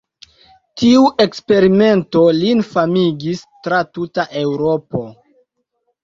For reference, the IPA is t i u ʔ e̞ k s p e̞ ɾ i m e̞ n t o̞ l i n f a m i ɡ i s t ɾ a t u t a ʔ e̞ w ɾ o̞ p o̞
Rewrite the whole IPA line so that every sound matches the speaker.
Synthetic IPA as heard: t i u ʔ e̞ k s p e̞ ɾ i m e̞ n t o̞ l i n f a m i ɡ i s t ɾ a t u t a ʔ e̞ w ɾ o̞ p o̞